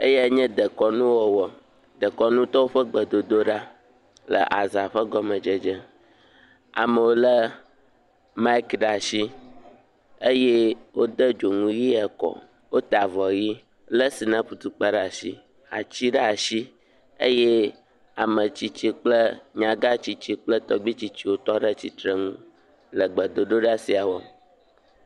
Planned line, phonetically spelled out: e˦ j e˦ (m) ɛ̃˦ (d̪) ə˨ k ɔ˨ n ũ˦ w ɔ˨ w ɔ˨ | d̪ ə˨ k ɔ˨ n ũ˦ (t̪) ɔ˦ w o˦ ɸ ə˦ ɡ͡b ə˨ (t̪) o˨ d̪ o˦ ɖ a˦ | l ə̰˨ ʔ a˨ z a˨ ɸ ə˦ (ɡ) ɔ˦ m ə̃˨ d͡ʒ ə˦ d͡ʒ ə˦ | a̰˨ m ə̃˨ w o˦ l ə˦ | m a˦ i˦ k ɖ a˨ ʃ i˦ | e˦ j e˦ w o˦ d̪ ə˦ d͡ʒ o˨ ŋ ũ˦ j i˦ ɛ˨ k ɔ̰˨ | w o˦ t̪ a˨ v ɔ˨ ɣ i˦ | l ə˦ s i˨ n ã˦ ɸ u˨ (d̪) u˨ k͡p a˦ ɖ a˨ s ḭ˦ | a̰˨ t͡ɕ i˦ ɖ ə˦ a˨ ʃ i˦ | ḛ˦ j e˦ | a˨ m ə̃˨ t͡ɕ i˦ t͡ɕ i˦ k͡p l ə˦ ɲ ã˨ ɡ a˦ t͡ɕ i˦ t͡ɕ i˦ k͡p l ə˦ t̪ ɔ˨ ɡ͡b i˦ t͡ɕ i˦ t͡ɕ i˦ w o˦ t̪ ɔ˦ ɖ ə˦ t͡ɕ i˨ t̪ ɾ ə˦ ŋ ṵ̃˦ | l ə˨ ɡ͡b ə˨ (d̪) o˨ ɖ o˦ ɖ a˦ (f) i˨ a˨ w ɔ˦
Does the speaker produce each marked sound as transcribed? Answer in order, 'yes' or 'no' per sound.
no, yes, yes, no, yes, no, yes, no

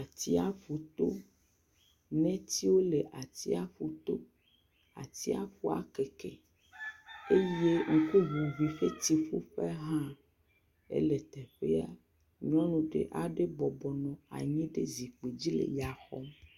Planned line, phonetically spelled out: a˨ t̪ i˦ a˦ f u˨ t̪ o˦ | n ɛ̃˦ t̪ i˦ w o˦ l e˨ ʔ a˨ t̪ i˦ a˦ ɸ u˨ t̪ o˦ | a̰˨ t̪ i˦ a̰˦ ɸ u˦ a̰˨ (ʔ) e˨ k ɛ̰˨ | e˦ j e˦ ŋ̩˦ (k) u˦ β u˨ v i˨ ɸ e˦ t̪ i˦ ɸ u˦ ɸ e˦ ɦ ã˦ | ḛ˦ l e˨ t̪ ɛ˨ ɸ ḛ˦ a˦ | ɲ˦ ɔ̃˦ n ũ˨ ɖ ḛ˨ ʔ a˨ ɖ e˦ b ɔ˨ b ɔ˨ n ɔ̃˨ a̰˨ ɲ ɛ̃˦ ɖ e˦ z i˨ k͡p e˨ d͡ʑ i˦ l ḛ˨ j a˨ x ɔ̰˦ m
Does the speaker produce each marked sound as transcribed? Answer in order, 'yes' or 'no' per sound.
no, yes

